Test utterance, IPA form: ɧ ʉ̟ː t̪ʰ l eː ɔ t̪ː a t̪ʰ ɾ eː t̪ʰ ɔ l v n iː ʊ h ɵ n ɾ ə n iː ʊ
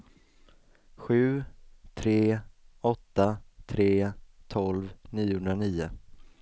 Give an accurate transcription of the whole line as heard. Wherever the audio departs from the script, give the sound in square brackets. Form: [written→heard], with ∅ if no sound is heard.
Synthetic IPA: ɧ ʉ̟ː t̪ʰ [l→ɾ] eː ɔ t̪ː a t̪ʰ ɾ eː t̪ʰ ɔ l v n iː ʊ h ɵ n ɾ [ə→a] n iː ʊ